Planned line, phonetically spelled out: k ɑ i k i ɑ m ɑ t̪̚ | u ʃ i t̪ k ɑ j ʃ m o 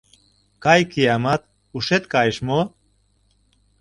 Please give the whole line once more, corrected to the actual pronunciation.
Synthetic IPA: k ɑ j k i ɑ m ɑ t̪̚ | u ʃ e t̪ k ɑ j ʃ m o